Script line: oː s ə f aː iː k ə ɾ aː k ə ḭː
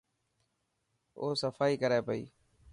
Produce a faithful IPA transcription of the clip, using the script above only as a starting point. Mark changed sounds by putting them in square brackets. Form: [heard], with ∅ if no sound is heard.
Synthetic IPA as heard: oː s ə f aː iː k ə ɾ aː [p] ə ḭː